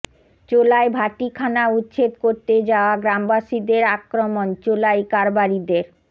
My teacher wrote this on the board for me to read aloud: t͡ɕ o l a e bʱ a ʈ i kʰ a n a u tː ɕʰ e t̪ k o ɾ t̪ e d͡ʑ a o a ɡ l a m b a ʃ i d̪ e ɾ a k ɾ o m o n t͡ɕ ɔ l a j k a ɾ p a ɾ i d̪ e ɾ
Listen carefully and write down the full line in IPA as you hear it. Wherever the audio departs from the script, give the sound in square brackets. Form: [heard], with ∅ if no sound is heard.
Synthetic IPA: t͡ɕ o l a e bʱ a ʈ i kʰ a n a u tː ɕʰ e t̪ k o ɾ t̪ e d͡ʑ a o a ɡ [ɾ] a m b a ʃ i d̪ e ɾ a k ɾ o m o n t͡ɕ [o] l a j k a ɾ [b] a ɾ i d̪ e ɾ